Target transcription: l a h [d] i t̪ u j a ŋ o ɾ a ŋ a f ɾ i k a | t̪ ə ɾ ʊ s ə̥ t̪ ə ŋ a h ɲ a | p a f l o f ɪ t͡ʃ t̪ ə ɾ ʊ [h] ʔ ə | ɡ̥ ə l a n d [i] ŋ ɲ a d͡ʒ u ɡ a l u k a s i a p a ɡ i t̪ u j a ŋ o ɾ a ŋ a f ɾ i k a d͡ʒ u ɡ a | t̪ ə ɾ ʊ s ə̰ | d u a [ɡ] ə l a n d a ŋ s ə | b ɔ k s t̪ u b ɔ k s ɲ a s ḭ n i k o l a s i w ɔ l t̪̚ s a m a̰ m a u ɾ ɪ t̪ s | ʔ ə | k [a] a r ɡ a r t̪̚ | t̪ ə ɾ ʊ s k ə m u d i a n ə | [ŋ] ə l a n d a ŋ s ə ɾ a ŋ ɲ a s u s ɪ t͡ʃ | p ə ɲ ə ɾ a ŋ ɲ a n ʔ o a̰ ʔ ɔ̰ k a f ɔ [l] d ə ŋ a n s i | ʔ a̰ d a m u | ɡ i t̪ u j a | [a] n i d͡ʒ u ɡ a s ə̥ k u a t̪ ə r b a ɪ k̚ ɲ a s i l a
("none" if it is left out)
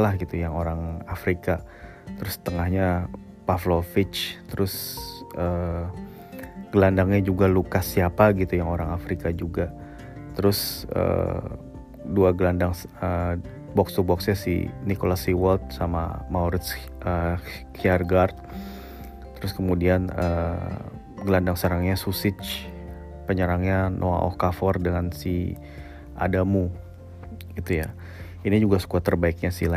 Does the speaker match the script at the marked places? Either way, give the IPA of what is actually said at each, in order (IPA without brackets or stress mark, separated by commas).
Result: ɡ, s, a, ɡ, i, ɡ, r, i